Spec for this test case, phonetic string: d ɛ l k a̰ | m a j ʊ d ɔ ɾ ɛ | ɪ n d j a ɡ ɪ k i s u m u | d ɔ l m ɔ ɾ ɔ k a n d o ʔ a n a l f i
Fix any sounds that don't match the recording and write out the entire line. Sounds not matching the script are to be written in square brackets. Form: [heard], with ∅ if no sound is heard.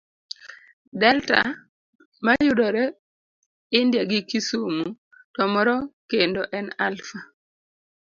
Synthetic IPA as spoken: d ɛ l [t] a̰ | m a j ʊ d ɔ ɾ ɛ | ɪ n d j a ɡ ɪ k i s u m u | [t] ɔ [∅] m ɔ ɾ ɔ k [e] n d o ʔ [ɛ] n a l f [a]